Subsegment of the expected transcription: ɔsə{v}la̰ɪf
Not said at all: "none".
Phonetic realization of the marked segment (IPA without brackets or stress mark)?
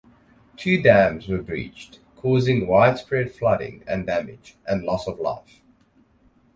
v